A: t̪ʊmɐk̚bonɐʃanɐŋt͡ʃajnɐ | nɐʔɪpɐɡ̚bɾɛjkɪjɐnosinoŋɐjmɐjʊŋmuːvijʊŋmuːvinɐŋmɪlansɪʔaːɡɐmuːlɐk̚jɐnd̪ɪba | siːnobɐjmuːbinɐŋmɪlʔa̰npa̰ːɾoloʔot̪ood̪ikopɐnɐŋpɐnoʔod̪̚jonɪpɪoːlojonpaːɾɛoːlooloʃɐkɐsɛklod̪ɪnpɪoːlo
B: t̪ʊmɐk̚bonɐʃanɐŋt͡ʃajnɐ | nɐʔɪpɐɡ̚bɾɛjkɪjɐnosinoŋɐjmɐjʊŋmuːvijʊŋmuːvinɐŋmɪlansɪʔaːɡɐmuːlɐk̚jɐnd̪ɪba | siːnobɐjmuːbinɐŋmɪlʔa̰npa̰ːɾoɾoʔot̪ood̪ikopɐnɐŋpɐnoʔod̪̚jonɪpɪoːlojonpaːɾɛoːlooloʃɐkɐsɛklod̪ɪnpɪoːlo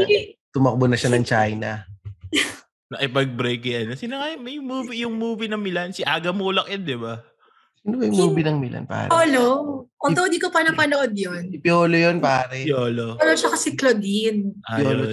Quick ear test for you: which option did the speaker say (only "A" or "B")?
A